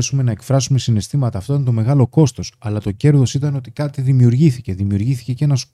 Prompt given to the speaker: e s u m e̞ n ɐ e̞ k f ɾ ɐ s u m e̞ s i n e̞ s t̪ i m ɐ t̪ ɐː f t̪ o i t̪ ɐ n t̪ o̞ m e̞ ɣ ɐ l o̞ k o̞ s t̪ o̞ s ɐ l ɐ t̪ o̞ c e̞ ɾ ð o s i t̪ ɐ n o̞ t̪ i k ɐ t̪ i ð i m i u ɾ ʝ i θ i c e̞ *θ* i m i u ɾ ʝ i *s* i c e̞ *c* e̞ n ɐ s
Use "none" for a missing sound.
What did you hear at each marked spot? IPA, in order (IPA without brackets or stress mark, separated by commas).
ð, θ, c